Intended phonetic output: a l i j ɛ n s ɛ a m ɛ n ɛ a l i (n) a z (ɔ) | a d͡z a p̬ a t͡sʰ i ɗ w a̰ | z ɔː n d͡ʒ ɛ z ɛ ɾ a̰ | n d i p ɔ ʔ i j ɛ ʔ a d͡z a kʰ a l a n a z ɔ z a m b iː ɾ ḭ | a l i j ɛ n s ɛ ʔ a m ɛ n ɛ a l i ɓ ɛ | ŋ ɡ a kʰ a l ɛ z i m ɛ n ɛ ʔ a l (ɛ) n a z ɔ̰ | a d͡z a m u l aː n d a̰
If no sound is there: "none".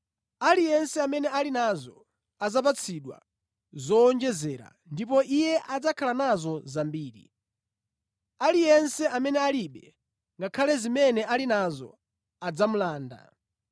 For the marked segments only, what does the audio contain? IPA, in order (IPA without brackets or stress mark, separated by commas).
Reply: n, ɔ, i